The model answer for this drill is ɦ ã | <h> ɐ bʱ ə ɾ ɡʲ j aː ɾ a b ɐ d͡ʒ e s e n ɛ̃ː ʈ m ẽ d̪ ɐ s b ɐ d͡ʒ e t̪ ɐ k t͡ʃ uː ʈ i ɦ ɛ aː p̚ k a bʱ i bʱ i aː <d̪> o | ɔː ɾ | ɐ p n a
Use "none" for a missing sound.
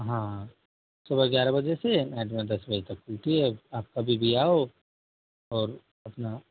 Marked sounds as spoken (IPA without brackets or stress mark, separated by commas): s, none